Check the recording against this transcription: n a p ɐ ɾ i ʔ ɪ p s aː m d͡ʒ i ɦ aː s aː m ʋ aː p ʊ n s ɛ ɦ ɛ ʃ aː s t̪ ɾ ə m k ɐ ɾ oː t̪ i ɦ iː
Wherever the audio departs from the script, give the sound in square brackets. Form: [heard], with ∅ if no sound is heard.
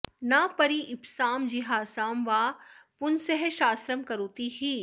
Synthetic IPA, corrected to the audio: n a p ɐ ɾ i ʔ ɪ p s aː m d͡ʒ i ɦ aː s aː m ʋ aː p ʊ n s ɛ ɦ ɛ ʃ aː s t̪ ɾ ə m k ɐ ɾ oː t̪ i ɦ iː